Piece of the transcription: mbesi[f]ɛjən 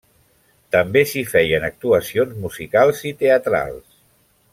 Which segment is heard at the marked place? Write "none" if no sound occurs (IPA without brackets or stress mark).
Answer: f